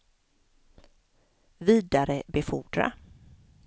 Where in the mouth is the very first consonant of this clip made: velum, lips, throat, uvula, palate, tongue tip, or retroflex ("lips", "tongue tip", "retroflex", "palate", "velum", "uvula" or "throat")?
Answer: lips